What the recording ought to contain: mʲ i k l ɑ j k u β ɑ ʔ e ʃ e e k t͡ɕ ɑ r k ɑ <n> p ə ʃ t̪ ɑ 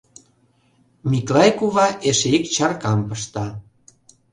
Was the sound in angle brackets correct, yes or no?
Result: no